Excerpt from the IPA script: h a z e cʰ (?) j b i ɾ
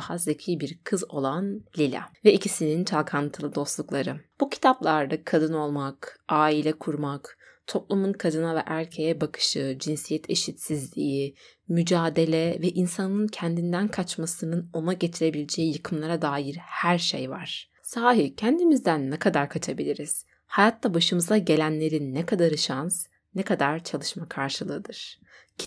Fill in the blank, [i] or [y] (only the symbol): i